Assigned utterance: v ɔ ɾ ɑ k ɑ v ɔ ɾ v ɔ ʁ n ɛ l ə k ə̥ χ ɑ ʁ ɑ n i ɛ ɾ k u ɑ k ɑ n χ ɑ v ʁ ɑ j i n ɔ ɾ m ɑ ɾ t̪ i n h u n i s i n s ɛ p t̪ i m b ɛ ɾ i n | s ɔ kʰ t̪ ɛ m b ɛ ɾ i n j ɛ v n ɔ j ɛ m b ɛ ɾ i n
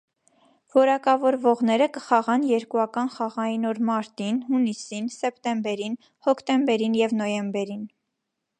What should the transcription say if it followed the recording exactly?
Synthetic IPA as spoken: v ɔ ɾ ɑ k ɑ v ɔ ɾ v ɔ ʁ n ɛ ɾ ə k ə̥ χ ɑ ʁ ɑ n j ɛ ɾ k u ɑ k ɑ n χ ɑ ʁ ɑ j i n ɔ ɾ m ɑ ɾ t̪ i n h u n i s i n s ɛ p t̪ ɛ m b ɛ ɾ i n | h ɔ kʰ t̪ ɛ m b ɛ ɾ i n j ɛ v n ɔ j ɛ m b ɛ ɾ i n

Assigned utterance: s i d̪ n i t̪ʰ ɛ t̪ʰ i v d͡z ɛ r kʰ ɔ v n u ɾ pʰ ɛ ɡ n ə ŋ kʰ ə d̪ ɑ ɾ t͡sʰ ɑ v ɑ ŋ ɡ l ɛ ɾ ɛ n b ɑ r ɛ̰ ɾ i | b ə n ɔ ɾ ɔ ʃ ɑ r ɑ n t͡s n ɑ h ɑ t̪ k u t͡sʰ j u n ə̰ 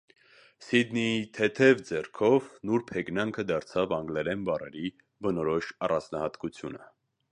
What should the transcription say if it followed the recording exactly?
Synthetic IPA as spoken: s i d̪ n i t̪ʰ ɛ t̪ʰ ɛ v d͡z ɛ r kʰ ɔ v n u ɾ pʰ ɛ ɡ n ɑ ŋ kʰ ə d̪ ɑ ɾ t͡sʰ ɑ v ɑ ŋ ɡ l ɛ ɾ ɛ n b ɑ r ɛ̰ ɾ i | b ə n ɔ ɾ ɔ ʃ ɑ r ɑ n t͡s n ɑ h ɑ t̪ k u t͡sʰ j u n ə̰

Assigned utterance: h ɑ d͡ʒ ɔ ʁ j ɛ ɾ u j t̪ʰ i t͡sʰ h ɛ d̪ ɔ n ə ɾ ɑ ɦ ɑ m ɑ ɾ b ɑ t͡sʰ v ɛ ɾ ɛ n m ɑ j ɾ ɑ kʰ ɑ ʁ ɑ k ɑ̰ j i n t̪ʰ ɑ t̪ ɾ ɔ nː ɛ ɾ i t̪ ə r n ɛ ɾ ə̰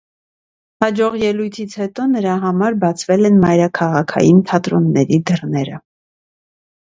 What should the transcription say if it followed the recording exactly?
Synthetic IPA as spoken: h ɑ d͡ʒ ɔ ʁ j ɛ l u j t̪ʰ i t͡sʰ h ɛ t̪ ɔ n ə ɾ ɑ ɦ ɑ m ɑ ɾ b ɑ t͡sʰ v ɛ l ɛ n m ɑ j ɾ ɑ kʰ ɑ ʁ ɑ kʰ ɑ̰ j i n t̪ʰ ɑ t̪ ɾ ɔ nː ɛ ɾ i d̪ ə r n ɛ ɾ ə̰

